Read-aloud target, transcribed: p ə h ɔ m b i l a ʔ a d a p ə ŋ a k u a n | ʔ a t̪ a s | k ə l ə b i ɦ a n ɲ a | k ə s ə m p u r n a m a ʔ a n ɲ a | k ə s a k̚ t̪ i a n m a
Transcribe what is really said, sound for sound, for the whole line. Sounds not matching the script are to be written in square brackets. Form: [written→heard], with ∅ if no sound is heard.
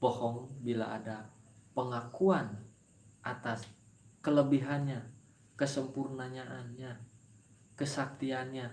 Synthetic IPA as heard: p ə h ɔ [m→ŋ] b i l a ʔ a d a p ə ŋ a k u a n | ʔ a t̪ a s | k ə l ə b i ɦ a n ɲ a | k ə s ə m p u r n a [m→ɲ] a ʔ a n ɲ a | k ə s a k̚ t̪ i a n [m→ɲ] a

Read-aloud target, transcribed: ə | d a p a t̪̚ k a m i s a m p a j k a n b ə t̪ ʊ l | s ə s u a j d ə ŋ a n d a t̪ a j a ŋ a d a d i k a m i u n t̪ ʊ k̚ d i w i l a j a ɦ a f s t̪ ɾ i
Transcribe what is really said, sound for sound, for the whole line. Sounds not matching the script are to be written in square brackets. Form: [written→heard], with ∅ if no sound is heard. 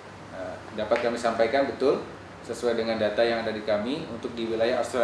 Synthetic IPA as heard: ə | d a p a t̪̚ k a m i s a m p a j k a n b ə t̪ ʊ l | s ə s u a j d ə ŋ a n d a t̪ a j a ŋ a d a d i k a m i u n t̪ ʊ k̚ d i w i l a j a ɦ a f s t̪ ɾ [i→a]

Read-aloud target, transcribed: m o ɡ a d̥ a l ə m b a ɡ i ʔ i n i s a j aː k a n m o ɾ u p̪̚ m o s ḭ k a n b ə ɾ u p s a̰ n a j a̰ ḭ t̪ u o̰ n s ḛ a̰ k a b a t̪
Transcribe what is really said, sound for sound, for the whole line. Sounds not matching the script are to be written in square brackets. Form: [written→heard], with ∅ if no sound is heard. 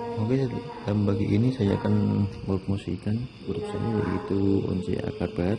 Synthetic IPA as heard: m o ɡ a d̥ a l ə m b a ɡ i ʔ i n i s a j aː k a n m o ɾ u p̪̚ m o s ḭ k a n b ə ɾ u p s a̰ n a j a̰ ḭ t̪ u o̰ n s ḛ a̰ k a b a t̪

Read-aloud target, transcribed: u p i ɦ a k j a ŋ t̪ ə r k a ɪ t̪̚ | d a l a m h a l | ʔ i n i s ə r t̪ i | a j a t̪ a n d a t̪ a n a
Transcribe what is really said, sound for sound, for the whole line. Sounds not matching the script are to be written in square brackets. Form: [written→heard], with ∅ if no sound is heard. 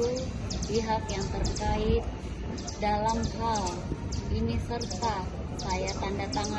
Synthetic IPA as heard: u p i ɦ a k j a ŋ t̪ ə r k a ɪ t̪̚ | d a l a m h a l | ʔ i n i s ə r t̪ [i→a] | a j a t̪ a n d a t̪ a [n→ŋ] a

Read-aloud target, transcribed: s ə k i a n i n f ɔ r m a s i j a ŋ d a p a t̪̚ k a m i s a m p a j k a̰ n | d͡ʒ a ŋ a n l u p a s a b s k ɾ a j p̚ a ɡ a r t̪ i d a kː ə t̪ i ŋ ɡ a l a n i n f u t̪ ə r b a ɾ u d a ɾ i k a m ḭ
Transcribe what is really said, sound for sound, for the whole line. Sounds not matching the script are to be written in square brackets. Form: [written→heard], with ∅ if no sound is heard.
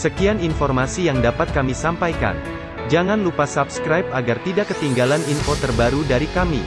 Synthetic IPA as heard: s ə k i a n i n f ɔ r m a s i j a ŋ d a p a t̪̚ k a m i s a m p a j k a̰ n | d͡ʒ a ŋ a n l u p a s a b s k ɾ a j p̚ a ɡ a r t̪ i d a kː ə t̪ i ŋ ɡ a l a n i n f [u→o] t̪ ə r b a ɾ u d a ɾ i k a m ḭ

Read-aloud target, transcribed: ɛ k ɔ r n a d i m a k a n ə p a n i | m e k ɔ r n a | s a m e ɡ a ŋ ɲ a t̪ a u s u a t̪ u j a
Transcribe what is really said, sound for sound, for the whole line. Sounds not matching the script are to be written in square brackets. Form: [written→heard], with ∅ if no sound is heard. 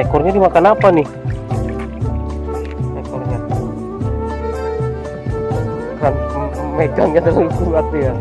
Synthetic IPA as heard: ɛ k ɔ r [n→ɲ] a d i m a k a n [ə→a] p a n i | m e k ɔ r [n→ɲ] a | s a m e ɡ a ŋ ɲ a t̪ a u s u a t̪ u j a

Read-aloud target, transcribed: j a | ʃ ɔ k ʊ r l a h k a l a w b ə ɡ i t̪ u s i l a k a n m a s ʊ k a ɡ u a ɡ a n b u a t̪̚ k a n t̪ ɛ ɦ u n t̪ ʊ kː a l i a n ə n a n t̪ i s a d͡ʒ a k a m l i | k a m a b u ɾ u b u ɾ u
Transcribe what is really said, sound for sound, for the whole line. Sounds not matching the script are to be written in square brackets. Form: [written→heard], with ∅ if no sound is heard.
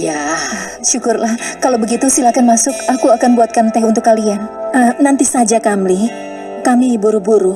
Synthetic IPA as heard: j a | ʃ [ɔ→u] k ʊ r l a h k a l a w b ə ɡ i t̪ u s i l a k a n m a s ʊ k a [ɡ→k] u a [ɡ→k] a n b u a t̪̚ k a n t̪ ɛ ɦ u n t̪ ʊ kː a l i a n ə n a n t̪ i s a d͡ʒ a k a m l i | k a m [a→i] b u ɾ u b u ɾ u

